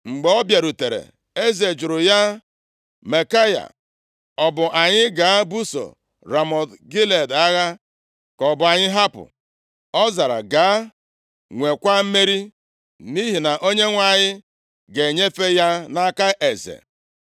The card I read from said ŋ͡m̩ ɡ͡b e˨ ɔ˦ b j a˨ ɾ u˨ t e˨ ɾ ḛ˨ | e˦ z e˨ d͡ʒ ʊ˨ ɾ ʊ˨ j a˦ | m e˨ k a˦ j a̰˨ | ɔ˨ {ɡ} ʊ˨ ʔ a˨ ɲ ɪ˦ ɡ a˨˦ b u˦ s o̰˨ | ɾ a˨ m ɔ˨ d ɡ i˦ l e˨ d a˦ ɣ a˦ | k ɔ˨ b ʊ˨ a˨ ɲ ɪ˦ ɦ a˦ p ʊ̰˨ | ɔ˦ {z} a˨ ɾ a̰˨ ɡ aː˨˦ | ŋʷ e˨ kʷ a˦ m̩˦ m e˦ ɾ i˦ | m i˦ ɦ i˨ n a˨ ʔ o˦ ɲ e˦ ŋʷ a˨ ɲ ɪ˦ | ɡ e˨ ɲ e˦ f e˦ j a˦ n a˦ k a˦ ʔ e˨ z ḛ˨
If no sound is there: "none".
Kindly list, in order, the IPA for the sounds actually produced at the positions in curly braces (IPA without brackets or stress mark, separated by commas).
b, z